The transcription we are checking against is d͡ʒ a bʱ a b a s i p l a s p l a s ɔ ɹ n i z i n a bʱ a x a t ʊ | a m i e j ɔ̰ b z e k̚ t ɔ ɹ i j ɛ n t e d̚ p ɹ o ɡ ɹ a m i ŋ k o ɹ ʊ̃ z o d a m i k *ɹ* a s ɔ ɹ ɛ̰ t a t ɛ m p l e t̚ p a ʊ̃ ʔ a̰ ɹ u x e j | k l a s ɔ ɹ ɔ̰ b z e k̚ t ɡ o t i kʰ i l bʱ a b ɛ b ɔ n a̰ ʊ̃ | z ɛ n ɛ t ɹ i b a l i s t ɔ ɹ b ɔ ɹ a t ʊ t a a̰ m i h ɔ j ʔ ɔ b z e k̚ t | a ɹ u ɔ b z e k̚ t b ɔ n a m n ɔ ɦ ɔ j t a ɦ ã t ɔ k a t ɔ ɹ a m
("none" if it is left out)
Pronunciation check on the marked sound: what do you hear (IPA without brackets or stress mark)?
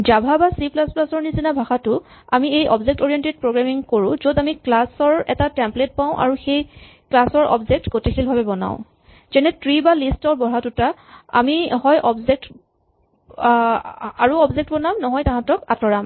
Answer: l